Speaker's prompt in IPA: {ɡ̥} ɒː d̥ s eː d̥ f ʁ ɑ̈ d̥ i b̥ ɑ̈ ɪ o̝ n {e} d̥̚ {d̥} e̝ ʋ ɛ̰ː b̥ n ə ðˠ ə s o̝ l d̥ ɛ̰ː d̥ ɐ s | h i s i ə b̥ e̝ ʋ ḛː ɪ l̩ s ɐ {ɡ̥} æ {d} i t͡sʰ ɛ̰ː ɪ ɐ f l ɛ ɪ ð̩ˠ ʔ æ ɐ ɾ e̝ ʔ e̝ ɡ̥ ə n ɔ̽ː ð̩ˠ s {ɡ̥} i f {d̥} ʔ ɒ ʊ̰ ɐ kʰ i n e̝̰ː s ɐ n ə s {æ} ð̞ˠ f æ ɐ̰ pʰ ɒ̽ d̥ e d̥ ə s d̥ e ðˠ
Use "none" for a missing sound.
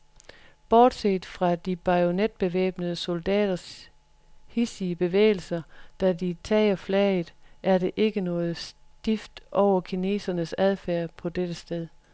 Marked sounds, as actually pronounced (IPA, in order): b̥, e, b̥, d̥, d, d̥, d̥, æ

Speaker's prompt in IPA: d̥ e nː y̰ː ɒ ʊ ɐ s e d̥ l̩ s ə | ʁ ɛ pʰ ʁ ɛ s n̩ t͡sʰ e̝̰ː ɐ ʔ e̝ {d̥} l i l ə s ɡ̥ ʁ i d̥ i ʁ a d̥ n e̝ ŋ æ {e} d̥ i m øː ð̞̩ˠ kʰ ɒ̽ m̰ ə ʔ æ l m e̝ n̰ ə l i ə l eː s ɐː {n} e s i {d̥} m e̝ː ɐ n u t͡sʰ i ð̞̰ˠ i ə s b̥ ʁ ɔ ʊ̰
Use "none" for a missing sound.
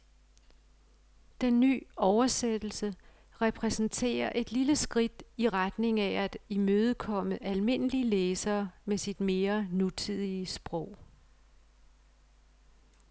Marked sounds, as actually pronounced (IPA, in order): d̥, æ, m, d̥

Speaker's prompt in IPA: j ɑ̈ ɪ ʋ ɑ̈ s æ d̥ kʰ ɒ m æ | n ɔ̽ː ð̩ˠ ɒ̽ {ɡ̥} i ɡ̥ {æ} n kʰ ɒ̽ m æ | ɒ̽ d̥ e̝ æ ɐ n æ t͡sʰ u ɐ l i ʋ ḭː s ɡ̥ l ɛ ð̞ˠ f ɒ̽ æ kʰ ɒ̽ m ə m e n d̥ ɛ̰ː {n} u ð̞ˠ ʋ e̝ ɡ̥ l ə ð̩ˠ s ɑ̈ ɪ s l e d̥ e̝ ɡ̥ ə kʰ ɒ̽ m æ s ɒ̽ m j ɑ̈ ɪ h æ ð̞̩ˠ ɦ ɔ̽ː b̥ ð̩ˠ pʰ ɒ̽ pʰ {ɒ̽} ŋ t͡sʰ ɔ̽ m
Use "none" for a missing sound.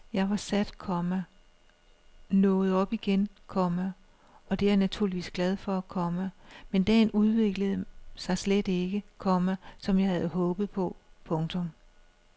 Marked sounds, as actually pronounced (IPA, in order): b̥, e, n, ɔ̽

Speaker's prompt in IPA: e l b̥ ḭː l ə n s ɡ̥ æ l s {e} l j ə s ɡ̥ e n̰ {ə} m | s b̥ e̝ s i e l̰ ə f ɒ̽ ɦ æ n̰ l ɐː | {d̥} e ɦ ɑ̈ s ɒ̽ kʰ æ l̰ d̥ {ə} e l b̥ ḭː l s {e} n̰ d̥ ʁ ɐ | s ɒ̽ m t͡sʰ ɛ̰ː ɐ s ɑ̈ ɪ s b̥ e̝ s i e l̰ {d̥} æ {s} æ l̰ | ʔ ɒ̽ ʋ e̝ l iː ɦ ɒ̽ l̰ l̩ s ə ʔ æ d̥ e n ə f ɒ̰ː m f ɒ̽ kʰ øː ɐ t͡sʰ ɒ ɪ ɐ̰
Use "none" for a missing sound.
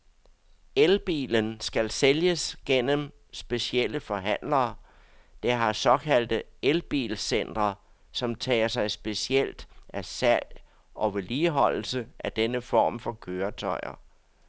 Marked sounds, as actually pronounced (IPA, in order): e, ə, d̥, ə, e, d̥, s

